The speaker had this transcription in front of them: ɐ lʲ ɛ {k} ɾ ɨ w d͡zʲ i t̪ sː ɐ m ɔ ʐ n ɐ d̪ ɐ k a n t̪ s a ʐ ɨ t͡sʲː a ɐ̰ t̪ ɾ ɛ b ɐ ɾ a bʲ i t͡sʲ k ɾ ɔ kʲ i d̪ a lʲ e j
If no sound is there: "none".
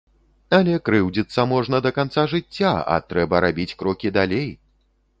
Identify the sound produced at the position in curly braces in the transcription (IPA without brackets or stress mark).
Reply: k